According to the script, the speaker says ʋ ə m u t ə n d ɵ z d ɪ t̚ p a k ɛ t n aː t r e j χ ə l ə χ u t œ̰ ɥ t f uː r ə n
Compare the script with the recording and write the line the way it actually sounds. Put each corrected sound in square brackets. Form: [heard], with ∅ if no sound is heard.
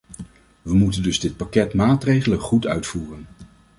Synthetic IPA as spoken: ʋ ə m u t ə n d ɵ z d ɪ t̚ p a k ɛ t [m] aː t r e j χ ə l ə χ u t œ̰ ɥ t f uː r ə n